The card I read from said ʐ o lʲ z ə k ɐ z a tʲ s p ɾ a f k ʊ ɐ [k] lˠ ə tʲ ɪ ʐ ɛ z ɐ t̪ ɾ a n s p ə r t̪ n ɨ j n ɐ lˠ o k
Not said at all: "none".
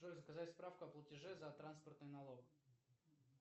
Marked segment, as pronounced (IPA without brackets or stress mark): p